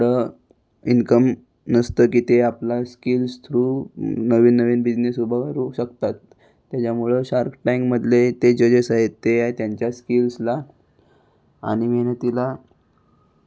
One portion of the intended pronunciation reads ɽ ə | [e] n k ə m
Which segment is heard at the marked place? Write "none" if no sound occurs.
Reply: i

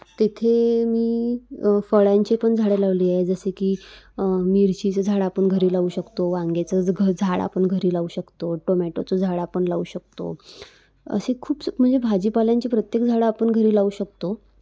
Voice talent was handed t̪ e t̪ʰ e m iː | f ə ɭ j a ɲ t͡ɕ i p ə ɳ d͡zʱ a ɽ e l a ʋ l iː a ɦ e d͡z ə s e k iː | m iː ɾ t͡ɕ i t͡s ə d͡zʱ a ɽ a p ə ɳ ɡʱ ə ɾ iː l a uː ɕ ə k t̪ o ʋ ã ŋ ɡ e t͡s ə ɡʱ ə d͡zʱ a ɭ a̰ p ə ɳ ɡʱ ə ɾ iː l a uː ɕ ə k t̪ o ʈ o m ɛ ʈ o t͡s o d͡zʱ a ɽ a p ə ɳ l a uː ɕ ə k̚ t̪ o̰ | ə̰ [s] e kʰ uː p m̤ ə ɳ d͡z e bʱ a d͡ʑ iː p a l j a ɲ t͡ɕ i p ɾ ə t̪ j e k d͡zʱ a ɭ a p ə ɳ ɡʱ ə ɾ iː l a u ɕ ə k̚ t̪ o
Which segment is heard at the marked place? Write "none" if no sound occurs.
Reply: s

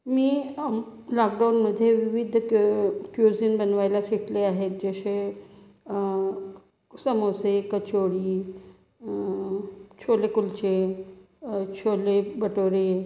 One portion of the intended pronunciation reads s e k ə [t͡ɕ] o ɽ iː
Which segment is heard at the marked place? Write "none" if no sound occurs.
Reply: t͡ɕ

